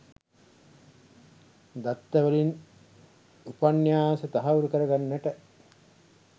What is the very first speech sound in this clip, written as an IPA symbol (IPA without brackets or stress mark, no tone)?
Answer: d̪